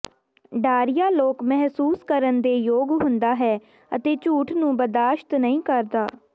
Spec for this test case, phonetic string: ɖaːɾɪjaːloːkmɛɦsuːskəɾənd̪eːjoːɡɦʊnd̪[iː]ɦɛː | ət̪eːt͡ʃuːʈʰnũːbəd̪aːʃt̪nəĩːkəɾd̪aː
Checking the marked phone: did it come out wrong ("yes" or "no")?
yes